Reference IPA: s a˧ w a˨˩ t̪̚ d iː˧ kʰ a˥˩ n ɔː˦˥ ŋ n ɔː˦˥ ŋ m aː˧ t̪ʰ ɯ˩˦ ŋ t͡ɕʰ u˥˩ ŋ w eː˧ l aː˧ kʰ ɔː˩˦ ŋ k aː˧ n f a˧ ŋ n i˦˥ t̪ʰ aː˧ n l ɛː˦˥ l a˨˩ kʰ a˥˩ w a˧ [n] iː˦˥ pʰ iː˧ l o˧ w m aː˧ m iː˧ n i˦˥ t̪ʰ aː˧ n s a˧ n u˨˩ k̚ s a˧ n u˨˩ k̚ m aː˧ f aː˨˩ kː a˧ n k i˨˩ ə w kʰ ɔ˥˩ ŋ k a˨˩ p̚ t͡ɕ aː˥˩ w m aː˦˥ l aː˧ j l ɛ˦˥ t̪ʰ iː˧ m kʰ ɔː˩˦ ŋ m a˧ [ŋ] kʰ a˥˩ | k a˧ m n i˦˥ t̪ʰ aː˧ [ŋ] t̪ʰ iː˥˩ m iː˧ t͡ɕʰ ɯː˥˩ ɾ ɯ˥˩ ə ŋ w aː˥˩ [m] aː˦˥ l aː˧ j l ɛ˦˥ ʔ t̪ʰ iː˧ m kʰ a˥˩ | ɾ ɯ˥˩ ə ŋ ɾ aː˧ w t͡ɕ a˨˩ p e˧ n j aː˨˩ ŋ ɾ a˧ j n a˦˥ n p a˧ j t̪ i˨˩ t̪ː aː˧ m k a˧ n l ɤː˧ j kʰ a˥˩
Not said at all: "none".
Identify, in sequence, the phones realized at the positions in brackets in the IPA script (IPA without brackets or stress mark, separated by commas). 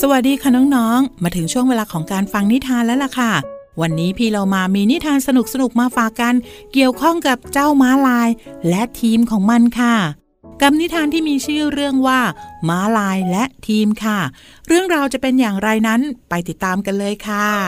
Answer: nː, n, n, m